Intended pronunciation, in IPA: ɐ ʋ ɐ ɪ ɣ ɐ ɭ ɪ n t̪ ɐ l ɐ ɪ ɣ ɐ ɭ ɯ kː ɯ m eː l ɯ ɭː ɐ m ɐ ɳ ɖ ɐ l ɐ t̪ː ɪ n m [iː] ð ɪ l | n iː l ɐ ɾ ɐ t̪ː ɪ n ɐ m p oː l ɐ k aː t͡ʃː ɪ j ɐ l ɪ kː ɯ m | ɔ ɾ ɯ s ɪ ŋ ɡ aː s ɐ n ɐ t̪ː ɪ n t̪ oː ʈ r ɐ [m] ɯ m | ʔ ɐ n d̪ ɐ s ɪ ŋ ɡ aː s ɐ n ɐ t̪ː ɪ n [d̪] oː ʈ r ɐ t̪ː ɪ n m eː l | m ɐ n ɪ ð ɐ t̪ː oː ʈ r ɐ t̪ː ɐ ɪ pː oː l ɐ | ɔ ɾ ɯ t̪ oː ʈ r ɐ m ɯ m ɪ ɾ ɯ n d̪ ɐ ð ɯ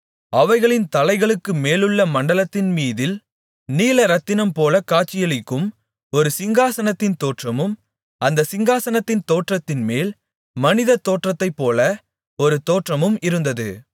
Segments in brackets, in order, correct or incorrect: correct, correct, incorrect: t̪

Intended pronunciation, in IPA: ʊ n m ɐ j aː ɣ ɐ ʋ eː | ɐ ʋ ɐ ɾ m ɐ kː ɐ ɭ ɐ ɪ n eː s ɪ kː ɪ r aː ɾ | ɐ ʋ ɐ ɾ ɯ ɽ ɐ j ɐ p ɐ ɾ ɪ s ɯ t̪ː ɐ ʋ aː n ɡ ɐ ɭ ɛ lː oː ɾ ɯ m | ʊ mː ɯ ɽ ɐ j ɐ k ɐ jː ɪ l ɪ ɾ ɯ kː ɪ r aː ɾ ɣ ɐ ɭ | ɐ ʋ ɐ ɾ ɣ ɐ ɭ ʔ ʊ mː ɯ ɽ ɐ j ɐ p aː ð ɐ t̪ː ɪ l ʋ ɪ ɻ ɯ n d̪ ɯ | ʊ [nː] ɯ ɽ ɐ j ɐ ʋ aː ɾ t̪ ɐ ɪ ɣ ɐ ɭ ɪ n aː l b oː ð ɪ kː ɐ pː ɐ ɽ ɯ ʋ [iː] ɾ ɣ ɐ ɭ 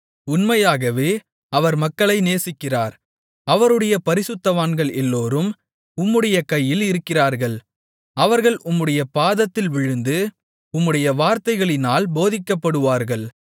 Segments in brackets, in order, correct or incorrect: incorrect: mː, incorrect: aː

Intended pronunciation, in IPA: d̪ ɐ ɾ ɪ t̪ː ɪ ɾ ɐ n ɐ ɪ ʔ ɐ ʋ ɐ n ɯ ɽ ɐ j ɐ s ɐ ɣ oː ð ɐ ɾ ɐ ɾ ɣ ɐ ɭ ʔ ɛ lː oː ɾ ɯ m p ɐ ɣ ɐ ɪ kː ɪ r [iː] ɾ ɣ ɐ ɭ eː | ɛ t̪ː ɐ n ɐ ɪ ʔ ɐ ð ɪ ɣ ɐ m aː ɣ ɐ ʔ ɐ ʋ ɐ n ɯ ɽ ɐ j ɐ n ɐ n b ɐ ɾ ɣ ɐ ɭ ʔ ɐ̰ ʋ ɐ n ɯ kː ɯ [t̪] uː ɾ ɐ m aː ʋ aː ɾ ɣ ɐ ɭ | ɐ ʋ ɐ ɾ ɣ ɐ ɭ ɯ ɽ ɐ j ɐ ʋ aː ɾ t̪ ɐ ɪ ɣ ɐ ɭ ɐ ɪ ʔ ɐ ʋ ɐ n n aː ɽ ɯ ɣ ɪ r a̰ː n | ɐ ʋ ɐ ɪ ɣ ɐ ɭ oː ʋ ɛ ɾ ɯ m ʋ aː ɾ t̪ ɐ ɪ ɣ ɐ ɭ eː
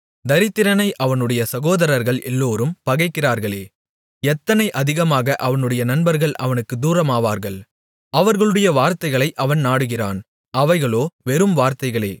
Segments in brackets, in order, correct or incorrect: incorrect: aː, incorrect: d̪

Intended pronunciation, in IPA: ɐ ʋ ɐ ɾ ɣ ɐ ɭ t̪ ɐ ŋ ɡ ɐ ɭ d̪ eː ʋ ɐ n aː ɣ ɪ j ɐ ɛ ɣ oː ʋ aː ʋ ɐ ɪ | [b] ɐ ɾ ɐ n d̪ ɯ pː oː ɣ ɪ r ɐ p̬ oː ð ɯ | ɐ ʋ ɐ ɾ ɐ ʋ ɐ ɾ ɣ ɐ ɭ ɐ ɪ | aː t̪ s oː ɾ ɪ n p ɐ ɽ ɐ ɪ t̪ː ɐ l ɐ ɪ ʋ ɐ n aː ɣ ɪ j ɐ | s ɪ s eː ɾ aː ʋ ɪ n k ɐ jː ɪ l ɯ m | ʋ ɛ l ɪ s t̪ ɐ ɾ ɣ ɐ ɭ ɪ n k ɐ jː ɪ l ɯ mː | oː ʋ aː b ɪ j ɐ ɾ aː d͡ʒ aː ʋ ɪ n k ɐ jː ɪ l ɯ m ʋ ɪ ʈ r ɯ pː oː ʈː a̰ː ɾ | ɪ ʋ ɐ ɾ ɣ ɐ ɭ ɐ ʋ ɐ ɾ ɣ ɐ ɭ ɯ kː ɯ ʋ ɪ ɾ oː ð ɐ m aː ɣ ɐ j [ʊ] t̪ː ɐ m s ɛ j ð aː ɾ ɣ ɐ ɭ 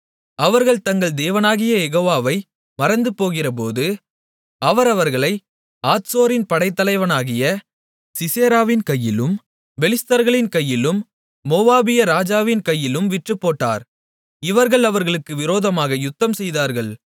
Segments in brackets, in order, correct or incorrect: incorrect: m, correct

